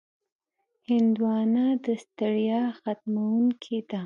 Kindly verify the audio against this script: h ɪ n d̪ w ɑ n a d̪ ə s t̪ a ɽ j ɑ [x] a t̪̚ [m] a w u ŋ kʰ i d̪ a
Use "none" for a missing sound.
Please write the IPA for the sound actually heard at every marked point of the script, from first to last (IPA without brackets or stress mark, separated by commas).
x, m